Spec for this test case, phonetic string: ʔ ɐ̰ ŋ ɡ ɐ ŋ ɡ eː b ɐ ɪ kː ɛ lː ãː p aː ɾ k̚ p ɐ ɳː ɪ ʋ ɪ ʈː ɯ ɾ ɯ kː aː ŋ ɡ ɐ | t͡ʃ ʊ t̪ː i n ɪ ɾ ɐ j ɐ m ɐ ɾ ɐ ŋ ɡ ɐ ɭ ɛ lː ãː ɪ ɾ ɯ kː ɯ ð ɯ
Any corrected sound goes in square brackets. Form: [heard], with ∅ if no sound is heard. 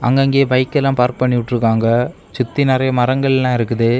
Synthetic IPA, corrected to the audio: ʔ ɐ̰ ŋ ɡ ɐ ŋ ɡ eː b ɐ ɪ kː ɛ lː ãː p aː ɾ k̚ p ɐ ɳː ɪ ʋ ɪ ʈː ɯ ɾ ɯ kː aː ŋ ɡ ɐ | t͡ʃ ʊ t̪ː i n ɪ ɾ ɐ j ɐ m ɐ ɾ ɐ ŋ ɡ ɐ ɭ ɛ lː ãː ɪ ɾ ɯ kː ɯ ð ɯ